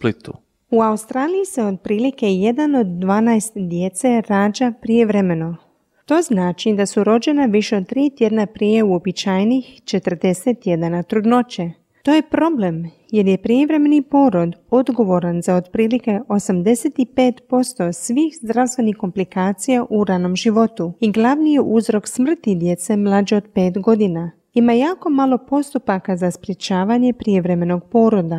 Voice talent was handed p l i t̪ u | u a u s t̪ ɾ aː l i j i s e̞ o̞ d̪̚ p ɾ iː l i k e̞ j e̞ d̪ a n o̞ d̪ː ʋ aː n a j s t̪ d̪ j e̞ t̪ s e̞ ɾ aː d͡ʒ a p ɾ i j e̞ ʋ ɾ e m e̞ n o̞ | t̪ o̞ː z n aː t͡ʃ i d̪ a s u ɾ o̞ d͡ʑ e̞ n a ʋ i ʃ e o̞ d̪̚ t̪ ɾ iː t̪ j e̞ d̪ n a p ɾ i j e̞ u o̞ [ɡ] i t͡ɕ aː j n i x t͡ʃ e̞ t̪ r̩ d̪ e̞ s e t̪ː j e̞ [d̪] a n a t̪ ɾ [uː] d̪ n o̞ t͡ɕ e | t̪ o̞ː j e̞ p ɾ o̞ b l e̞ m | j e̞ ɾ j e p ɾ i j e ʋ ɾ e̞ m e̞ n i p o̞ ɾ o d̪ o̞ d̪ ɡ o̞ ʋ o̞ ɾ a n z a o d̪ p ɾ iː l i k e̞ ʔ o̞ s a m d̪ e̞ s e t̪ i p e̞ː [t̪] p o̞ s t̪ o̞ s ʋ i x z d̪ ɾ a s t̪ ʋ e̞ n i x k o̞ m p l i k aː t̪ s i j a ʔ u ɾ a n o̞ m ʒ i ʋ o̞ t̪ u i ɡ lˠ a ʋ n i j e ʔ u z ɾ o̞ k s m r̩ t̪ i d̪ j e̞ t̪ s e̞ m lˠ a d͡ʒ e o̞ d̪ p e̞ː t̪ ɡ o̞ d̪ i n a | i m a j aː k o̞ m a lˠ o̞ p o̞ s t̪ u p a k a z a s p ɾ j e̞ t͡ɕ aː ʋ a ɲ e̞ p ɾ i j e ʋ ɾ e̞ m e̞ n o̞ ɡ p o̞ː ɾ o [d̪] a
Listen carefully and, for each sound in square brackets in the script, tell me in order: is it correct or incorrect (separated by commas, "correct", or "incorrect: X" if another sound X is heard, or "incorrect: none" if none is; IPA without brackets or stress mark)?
incorrect: b, correct, incorrect: u, correct, correct